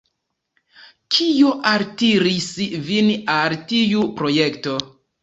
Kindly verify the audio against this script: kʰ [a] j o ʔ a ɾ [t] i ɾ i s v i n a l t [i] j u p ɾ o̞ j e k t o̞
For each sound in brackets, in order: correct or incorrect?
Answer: incorrect: i, correct, correct

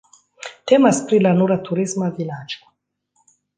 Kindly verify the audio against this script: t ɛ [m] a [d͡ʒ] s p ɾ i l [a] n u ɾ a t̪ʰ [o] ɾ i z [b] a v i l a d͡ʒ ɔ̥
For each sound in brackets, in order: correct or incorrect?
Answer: correct, incorrect: none, correct, incorrect: u, incorrect: m

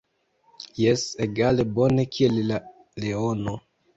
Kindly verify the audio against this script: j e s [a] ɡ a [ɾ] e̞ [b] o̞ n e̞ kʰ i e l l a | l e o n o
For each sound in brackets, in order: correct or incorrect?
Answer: incorrect: e, incorrect: l, correct

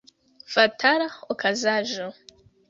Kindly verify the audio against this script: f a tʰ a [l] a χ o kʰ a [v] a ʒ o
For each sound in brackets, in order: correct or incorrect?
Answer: incorrect: ɾ, incorrect: z

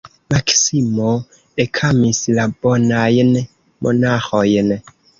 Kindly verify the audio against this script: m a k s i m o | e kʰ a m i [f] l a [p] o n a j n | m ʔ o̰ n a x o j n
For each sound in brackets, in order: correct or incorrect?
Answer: incorrect: s, incorrect: b

